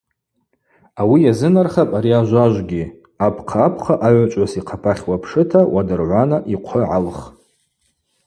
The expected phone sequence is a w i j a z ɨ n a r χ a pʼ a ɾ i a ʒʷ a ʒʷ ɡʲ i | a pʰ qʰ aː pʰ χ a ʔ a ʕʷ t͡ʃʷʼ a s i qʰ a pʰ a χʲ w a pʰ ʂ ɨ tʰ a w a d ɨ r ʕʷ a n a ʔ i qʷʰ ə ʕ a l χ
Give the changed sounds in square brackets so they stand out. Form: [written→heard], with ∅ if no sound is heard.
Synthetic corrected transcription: a w i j a z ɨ n a r χ a pʼ a ɾ i a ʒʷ a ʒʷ ɡʲ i | a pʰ qʰ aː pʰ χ a ʔ a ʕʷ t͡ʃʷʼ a s i qʰ a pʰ a χʲ w a pʰ ʂ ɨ tʰ a w a d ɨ r ʕʷ a n a ʔ i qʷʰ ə ʕ a l χ